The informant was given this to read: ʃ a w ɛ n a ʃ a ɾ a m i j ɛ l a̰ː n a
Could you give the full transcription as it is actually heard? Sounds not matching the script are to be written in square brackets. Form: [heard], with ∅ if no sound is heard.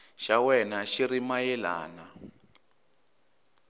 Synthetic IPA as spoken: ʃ a w ɛ n a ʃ [i] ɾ [i] m [a] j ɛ l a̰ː n a